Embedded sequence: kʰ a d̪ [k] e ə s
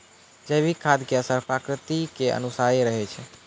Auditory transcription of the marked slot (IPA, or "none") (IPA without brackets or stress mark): k